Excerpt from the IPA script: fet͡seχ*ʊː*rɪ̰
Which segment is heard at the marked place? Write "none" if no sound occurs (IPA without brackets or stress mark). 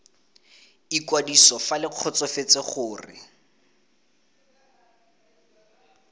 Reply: ʊː